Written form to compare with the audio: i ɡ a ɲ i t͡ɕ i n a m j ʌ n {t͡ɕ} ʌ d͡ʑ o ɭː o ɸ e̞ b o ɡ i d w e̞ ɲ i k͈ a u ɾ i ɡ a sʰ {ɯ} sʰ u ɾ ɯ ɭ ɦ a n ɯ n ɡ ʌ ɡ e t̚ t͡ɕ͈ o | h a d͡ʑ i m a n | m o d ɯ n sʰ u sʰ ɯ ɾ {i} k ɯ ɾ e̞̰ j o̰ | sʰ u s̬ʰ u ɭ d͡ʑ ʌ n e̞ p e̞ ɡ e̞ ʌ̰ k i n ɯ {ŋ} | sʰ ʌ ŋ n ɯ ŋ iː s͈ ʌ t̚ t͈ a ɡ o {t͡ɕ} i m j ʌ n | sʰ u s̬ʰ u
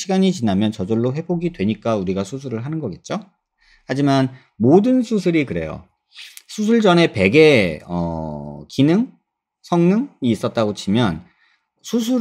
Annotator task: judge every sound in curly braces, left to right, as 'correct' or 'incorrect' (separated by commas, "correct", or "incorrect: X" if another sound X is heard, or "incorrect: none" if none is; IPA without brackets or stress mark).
correct, incorrect: u, correct, correct, incorrect: t͡ɕʰ